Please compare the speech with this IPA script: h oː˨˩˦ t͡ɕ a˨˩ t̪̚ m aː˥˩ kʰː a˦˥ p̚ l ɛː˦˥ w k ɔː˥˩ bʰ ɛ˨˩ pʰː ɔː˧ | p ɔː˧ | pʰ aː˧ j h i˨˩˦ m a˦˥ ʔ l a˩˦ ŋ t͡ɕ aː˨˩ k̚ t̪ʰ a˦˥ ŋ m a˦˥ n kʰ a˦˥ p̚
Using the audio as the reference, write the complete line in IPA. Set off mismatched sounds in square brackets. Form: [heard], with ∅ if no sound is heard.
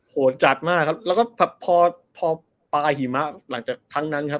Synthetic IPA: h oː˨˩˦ t͡ɕ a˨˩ t̪̚ m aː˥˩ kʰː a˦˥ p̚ l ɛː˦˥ w k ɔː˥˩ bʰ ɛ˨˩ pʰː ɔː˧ | [pʰ] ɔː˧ | [p] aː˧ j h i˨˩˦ m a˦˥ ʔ l a˩˦ ŋ t͡ɕ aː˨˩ k̚ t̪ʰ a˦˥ ŋ [n] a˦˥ n kʰ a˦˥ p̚